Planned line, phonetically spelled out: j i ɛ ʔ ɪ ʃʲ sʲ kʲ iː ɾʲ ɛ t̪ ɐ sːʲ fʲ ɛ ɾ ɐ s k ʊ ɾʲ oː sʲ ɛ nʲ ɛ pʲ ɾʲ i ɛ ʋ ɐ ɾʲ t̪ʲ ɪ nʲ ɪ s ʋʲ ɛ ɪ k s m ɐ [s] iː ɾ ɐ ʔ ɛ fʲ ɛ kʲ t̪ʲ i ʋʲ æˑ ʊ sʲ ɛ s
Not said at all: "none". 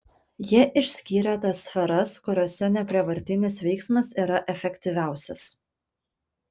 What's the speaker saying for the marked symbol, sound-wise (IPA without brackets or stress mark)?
s